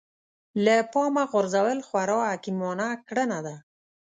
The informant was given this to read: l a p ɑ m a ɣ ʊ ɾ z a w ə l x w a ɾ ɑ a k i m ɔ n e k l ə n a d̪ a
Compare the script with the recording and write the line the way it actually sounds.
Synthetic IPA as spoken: l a p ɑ m a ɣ ʊ ɾ z a w ə l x w a ɾ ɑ a k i m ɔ n a k ɽ ə n a d̪ a